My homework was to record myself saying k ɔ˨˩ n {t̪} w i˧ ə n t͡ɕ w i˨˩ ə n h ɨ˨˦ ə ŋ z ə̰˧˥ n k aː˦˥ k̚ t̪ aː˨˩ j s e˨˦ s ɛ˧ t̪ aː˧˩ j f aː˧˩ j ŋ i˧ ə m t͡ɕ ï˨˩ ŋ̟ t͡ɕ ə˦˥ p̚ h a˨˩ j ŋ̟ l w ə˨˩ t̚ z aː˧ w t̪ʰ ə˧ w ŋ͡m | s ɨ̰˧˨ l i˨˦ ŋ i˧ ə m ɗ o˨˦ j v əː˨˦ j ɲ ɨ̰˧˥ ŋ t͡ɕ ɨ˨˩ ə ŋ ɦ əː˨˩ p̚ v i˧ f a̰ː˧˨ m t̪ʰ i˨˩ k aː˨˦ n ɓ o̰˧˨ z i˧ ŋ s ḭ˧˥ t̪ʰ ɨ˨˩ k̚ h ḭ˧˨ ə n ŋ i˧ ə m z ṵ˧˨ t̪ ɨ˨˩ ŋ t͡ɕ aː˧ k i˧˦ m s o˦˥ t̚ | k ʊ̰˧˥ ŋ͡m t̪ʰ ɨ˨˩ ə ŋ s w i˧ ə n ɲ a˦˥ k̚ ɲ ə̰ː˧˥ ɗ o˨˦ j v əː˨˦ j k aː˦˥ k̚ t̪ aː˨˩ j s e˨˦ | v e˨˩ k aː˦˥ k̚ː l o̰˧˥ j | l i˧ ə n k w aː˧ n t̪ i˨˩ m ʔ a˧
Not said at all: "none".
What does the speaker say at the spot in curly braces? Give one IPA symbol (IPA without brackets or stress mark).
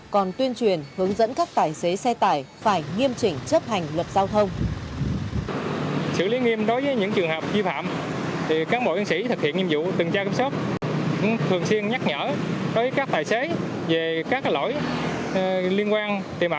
t̪